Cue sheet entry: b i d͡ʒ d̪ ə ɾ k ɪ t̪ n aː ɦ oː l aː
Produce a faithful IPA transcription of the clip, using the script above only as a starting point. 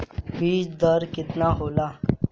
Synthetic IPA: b iː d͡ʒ d̪ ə ɾ k ɪ t̪ n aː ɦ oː l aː